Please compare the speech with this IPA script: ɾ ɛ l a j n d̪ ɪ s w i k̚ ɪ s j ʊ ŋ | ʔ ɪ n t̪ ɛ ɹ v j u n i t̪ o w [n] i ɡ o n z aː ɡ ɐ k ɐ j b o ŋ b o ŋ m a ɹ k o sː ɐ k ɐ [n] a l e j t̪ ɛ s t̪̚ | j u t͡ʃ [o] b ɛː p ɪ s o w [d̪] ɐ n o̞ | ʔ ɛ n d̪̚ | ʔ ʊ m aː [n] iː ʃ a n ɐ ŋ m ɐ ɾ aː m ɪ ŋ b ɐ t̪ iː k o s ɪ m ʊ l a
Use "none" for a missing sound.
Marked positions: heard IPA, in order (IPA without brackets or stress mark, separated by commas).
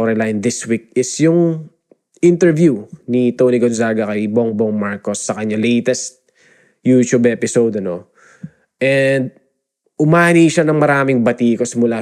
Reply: n, ɲ, u, d̪, n